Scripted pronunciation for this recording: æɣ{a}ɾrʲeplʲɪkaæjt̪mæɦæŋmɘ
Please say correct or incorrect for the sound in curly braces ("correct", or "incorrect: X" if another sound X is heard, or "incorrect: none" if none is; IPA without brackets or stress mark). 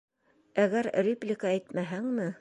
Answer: incorrect: æ